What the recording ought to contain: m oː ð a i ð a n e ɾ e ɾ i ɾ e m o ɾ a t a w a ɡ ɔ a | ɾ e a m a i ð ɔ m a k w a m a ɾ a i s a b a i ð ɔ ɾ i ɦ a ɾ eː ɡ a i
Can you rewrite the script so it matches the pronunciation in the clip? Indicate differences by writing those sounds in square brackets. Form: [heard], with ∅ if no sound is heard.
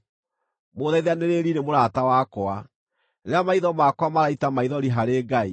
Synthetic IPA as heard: m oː ð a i ð a n e ɾ e ɾ i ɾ e m o ɾ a t a w a [k] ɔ a | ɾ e a m a i ð ɔ m a k w a m a ɾ a i [t] a [m] a i ð ɔ ɾ i ɦ a ɾ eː ɡ a i